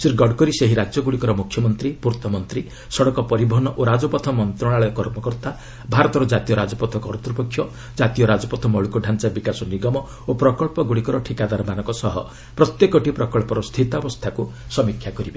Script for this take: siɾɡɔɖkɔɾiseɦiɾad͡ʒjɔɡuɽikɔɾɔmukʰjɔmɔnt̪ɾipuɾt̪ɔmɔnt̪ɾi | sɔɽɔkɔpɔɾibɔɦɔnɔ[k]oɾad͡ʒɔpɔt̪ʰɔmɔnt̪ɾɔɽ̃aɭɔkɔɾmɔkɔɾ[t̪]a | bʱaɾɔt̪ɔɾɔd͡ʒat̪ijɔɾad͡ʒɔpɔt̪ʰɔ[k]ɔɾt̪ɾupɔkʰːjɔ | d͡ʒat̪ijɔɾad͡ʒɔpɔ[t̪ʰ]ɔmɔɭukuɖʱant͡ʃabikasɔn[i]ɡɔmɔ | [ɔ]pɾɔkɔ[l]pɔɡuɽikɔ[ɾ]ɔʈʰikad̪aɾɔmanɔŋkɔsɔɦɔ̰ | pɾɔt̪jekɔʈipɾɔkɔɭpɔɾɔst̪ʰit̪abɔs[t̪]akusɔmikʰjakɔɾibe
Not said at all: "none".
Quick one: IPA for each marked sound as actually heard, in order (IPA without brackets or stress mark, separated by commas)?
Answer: ʔ, t̪, k, t̪ʰ, i, o, ɭ, ɾ, t̪ʰ